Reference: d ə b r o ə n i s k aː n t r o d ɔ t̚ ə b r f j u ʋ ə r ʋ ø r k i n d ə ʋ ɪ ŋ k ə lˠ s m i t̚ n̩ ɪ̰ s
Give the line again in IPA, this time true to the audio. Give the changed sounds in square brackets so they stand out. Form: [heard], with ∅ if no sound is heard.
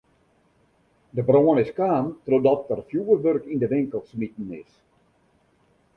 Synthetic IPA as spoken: d ə b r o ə n [ɪ] s k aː n t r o d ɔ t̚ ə [∅] r f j u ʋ ə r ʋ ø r k i n d ə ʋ ɪ ŋ k ə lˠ s m i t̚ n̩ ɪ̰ s